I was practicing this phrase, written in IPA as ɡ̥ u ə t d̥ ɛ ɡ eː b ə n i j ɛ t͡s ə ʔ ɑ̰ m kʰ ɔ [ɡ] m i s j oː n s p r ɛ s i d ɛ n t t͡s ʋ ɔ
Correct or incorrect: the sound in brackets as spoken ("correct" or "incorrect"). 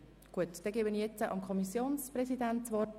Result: incorrect